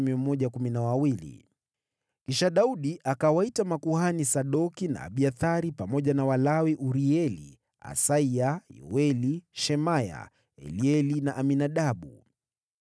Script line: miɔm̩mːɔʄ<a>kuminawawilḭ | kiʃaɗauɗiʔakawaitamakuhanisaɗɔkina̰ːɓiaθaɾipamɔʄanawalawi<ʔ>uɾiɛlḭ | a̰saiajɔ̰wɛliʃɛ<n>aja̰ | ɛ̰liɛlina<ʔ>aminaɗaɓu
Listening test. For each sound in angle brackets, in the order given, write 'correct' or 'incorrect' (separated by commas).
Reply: correct, correct, incorrect, correct